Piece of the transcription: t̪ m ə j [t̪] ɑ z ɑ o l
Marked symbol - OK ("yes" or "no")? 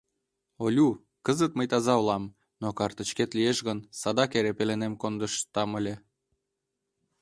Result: yes